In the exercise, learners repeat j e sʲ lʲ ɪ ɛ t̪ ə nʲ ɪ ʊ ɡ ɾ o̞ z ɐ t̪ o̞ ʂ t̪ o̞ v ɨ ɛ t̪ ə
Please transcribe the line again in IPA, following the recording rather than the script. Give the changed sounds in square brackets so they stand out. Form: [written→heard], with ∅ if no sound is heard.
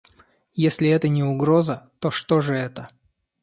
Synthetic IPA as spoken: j e sʲ lʲ ɪ ɛ t̪ ə nʲ ɪ ʊ ɡ ɾ o̞ z [ɐ→ə] t̪ o̞ ʂ t̪ o̞ [v→ʐ] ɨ ɛ t̪ ə

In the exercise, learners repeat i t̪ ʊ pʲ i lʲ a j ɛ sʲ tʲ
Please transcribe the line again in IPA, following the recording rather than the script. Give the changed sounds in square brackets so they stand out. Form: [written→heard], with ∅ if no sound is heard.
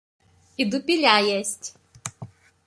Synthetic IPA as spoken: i [t̪→d̪] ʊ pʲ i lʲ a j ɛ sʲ tʲ

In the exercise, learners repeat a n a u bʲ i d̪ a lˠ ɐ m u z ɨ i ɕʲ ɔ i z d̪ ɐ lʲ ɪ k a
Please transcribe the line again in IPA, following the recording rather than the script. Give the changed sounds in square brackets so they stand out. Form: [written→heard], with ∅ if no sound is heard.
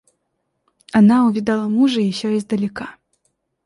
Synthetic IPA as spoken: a n a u [bʲ→vʲ] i d̪ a lˠ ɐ m u [z→ʐ] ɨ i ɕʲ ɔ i z d̪ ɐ lʲ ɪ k a

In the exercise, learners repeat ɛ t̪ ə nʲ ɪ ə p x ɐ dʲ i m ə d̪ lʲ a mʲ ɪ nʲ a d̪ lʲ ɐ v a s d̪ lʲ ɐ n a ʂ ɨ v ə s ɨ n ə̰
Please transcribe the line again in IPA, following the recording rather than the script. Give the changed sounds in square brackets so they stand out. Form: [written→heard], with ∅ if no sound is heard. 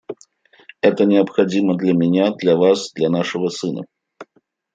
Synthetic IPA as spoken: ɛ t̪ ə nʲ ɪ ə p x ɐ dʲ i m ə d̪ lʲ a mʲ ɪ nʲ a d̪ lʲ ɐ v a s d̪ lʲ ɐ n a ʂ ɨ v ə s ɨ n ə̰

